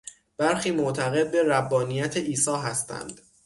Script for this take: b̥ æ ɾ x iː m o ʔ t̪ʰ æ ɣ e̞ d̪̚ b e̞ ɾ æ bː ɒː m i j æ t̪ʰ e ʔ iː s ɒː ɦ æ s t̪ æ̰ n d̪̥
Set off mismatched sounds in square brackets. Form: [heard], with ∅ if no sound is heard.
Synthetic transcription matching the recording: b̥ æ ɾ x iː m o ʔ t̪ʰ æ ɣ e̞ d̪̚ b e̞ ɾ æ bː ɒː [n] i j æ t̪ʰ e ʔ iː s ɒː ɦ æ s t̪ æ̰ n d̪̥